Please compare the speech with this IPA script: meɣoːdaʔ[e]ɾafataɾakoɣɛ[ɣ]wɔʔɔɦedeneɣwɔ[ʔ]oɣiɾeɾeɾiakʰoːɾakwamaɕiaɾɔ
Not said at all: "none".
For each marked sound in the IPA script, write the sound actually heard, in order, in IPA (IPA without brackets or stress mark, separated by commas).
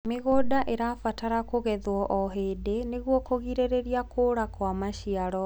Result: e, ð, k